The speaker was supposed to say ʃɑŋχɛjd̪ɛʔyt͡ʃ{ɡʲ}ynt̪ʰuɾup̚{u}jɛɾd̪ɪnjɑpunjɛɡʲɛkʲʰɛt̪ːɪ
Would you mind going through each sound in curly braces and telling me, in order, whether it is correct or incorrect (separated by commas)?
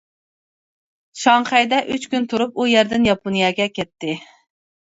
incorrect, correct